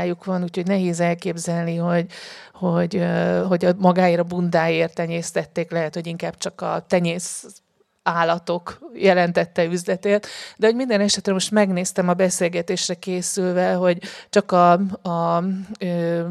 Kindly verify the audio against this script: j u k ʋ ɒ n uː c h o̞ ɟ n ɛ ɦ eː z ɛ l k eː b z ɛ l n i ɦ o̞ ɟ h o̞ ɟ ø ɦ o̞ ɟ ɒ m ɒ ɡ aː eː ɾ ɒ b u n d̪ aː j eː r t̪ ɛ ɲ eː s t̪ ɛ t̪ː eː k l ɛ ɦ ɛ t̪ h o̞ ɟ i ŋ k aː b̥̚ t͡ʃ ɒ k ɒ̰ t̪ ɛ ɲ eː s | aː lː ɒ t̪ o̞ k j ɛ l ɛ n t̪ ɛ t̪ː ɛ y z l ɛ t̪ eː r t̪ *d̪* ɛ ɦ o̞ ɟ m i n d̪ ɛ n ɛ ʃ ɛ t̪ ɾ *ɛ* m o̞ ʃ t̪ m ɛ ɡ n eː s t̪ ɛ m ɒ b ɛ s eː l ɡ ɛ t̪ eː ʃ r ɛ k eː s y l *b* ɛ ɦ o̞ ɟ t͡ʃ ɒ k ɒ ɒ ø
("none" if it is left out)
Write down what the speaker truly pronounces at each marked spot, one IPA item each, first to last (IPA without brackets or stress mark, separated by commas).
d̪, ɛ, v